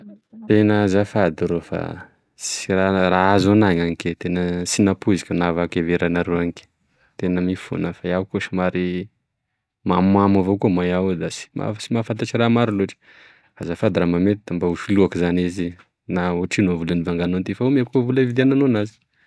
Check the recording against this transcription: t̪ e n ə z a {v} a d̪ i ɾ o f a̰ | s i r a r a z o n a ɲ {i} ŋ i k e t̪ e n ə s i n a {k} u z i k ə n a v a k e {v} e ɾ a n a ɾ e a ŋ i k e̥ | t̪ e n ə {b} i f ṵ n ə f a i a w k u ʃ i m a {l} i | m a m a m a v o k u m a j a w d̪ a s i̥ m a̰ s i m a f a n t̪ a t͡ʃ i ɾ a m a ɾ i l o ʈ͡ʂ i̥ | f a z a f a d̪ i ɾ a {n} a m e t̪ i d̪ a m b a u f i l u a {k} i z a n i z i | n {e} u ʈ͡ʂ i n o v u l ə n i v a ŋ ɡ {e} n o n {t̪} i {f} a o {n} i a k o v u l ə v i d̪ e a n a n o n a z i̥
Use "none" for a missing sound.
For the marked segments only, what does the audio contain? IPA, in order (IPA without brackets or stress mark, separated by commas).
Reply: f, a, p, v, m, ɾ, m, k, a, a, t̪, f, m